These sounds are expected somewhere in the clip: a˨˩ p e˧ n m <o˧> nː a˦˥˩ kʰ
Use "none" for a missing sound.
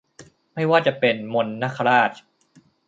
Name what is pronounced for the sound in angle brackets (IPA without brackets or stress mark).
o˧